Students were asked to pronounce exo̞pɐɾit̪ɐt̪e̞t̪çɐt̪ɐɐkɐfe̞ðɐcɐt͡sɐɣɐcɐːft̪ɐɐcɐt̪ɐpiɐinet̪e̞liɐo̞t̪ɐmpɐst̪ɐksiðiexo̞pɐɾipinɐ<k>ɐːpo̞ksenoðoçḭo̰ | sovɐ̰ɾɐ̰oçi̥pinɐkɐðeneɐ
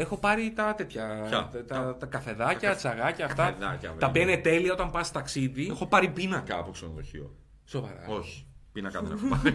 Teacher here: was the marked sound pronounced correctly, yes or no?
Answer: yes